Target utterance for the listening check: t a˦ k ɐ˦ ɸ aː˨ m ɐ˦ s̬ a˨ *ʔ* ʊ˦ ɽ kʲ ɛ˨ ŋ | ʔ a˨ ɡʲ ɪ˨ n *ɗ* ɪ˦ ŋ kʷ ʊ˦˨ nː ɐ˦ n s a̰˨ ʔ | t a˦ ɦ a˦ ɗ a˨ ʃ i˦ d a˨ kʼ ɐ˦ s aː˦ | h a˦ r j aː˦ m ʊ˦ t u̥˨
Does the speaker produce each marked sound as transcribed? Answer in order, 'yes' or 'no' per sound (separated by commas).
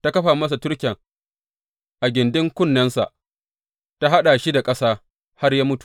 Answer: no, no